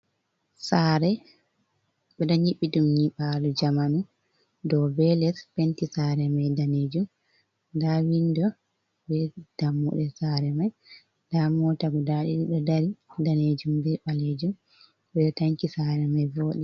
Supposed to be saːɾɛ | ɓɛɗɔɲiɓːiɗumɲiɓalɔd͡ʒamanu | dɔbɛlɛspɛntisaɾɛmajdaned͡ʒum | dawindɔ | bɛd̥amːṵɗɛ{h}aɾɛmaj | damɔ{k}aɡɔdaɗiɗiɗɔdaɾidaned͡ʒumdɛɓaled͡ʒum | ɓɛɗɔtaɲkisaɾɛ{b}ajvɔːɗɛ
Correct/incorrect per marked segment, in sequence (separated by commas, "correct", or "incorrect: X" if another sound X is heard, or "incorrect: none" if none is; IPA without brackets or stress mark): incorrect: s, incorrect: t, incorrect: m